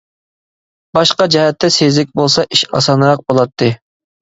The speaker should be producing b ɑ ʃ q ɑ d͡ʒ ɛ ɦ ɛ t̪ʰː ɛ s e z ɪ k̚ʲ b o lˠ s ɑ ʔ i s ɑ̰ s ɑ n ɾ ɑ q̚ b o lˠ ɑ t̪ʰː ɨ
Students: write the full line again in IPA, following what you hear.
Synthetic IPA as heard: b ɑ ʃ q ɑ d͡ʒ ɛ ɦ ɛ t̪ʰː ɛ s e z ɪ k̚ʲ b o lˠ s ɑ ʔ i ʃ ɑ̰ s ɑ n ɾ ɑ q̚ b o lˠ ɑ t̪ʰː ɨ